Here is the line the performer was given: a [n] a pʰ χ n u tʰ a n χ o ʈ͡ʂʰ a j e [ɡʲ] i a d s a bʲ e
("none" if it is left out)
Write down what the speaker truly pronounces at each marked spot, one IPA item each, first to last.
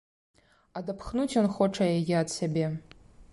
d, ɡʲ

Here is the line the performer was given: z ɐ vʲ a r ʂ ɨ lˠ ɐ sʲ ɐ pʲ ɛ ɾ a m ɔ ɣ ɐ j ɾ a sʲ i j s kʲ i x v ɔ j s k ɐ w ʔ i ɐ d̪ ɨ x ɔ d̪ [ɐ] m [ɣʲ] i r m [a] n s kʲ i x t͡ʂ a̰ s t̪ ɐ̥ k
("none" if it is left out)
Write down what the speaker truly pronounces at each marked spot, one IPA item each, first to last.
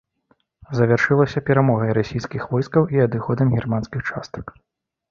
ɐ, ɣʲ, a

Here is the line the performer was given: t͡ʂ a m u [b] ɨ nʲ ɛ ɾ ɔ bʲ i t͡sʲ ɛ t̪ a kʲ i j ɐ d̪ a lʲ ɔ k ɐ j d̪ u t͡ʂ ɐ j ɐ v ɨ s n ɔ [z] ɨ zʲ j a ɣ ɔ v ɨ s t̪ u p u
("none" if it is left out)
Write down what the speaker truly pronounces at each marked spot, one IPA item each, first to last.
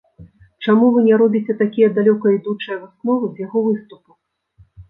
v, v

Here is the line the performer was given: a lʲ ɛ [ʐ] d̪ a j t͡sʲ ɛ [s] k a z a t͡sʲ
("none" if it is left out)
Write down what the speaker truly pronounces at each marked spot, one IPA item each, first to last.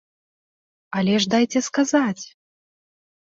ʐ, s

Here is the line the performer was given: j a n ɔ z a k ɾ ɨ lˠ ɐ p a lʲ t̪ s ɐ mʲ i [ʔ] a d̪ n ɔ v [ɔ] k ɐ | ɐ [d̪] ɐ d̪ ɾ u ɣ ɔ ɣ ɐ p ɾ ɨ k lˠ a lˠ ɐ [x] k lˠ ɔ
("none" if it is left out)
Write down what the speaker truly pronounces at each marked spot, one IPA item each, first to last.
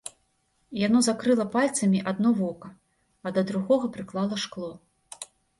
ʔ, ɔ, d̪, ʂ

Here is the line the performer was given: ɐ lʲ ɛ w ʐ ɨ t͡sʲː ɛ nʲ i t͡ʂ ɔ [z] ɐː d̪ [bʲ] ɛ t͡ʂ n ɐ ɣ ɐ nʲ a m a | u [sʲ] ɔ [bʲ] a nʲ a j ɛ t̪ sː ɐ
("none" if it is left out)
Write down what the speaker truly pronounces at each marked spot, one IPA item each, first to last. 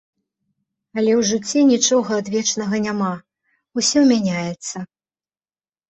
ɣ, vʲ, sʲ, mʲ

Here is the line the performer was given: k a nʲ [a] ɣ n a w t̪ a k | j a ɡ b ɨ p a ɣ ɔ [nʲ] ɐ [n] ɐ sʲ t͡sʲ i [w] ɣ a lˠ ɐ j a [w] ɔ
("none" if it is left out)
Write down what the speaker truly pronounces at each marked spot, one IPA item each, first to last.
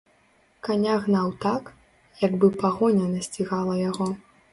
a, nʲ, n, none, ɣ

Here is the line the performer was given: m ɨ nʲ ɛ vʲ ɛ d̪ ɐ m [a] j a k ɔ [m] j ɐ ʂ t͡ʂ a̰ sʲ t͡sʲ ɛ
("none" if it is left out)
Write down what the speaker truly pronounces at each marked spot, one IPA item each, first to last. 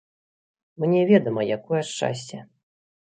ɐ, none

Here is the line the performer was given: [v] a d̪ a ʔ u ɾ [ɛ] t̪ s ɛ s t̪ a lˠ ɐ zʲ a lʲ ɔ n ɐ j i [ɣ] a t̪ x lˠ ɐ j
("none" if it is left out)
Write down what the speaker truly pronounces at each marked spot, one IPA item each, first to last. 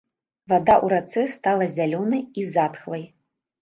v, a, z

